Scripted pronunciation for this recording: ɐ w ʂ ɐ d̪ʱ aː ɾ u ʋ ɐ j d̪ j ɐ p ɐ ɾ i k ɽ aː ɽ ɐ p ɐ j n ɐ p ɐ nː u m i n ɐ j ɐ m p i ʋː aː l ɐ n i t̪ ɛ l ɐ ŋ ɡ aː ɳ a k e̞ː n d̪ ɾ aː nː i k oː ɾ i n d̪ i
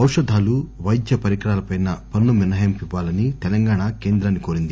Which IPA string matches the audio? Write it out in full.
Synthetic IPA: ɐ w ʂ ɐ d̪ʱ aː l u ʋ ɐ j d̪ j ɐ p ɐ ɾ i k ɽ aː l ɐ p ɐ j n ɐ p ɐ nː u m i n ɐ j ɐ m p i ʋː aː l ɐ n i t̪ ɛ l ɐ ŋ ɡ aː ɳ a k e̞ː n d̪ ɾ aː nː i k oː ɾ i n d̪ i